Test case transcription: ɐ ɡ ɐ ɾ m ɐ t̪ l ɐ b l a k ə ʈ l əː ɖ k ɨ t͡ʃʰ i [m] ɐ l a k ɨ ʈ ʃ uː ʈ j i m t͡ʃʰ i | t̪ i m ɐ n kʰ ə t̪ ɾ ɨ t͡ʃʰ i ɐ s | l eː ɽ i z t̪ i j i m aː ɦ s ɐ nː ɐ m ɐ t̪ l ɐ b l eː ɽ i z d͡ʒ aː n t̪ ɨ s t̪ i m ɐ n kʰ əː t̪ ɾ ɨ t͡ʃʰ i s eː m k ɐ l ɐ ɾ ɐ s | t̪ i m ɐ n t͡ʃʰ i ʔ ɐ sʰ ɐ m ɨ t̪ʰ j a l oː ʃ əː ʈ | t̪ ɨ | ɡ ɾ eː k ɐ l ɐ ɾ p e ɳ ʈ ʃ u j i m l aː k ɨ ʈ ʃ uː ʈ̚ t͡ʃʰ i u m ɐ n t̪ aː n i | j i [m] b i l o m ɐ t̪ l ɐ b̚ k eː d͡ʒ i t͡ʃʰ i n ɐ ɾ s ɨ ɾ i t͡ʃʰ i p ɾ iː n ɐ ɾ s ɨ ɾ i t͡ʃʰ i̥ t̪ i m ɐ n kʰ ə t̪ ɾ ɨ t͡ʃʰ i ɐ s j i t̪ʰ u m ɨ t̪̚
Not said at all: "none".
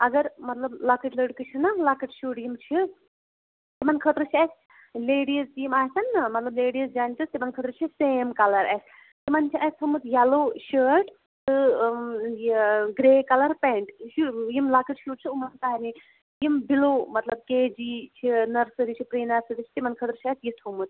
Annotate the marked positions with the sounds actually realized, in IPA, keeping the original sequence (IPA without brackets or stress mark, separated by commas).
n, m